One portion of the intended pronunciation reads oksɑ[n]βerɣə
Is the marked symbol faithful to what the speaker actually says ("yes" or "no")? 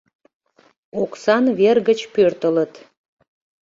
yes